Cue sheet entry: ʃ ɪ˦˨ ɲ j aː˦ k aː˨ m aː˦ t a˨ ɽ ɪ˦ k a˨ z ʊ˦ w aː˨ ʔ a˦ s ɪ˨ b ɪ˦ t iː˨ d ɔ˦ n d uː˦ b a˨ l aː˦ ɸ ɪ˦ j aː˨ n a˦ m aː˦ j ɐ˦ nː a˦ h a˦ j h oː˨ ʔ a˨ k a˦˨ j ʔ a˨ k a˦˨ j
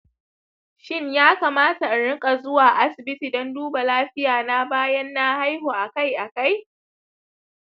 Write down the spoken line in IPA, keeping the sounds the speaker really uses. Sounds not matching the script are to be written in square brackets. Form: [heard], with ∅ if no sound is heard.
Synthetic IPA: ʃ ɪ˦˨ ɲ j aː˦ k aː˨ m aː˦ t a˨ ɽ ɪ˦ [kʼ] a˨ z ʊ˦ w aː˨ ʔ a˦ s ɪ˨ b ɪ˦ t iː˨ d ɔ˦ n d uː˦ b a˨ l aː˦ ɸ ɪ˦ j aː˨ n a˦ [b] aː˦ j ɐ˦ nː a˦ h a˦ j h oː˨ ʔ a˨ k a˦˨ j ʔ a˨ k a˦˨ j

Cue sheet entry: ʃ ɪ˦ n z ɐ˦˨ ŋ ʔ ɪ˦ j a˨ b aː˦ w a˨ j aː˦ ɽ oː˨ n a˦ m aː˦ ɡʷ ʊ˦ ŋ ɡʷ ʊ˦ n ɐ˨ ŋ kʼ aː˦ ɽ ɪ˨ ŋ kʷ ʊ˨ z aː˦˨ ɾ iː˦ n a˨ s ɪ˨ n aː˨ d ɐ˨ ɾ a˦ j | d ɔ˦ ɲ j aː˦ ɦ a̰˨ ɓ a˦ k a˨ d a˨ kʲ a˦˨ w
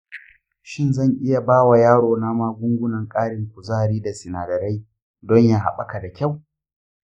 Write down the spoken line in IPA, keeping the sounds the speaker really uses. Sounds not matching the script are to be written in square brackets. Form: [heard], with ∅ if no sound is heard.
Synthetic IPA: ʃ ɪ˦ n z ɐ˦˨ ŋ ʔ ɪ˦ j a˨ b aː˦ w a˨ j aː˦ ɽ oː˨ n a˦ m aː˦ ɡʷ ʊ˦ ŋ ɡʷ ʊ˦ n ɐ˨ ŋ kʼ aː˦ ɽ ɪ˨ ŋ kʷ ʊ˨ z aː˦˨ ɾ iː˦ [d] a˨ s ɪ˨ n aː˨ d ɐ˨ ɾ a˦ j | d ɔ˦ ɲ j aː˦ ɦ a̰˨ ɓ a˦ k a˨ d a˨ kʲ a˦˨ w

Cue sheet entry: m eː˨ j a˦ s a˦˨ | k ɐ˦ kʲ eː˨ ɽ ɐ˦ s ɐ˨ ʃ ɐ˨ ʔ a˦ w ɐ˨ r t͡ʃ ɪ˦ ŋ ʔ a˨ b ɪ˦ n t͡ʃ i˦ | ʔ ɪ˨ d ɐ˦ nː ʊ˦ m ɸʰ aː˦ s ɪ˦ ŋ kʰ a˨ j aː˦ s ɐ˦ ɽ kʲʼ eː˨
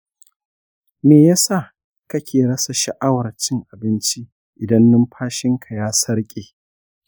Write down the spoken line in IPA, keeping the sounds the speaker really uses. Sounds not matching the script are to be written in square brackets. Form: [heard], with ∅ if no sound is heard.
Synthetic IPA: m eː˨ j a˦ s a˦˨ | k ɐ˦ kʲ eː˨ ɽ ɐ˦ s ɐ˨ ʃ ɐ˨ ʔ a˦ w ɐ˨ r t͡ʃ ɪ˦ ŋ ʔ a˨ b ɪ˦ n t͡ʃ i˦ | ʔ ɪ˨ d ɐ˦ nː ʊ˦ m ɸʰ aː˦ [ʃ] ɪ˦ ŋ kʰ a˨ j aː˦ s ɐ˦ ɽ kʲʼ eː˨

